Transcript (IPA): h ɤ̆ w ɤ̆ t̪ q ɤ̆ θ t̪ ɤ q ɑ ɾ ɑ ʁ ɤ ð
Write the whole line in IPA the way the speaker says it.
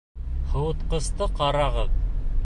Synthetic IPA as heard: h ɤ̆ w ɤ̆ t̪ q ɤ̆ s t̪ ɤ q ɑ ɾ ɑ ʁ ɤ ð